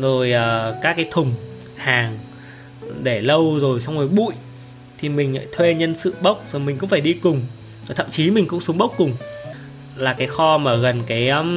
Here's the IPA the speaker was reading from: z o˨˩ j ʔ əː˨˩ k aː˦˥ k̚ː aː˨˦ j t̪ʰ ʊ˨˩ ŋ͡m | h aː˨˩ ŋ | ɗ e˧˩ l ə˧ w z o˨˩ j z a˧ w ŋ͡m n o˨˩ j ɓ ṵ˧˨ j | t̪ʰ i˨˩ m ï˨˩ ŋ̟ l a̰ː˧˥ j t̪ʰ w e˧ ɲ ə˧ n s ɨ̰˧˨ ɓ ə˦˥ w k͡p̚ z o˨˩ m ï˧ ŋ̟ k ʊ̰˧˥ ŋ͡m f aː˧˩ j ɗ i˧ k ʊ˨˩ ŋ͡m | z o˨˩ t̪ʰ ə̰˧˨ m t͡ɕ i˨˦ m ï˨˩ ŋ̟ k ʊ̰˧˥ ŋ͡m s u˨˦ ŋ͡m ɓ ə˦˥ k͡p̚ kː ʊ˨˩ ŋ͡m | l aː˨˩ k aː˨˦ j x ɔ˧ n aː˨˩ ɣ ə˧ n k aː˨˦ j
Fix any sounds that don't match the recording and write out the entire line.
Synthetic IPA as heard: z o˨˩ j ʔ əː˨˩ k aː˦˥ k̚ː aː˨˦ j t̪ʰ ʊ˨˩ ŋ͡m | h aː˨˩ ŋ | ɗ e˧˩ l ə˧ w z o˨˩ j s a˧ w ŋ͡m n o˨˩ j ɓ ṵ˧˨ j | t̪ʰ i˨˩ m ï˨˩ ŋ̟ l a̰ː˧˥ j t̪ʰ w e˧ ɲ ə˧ n s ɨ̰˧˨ ɓ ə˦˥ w k͡p̚ z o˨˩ m ï˨˩ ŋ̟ k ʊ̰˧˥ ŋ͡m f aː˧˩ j ɗ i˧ k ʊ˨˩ ŋ͡m | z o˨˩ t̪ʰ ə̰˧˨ m t͡ɕ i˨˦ m ï˨˩ ŋ̟ k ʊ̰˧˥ ŋ͡m s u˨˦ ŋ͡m ɓ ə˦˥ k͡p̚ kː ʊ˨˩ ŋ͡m | l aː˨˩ k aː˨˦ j x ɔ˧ m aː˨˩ ɣ ə˨˩ n k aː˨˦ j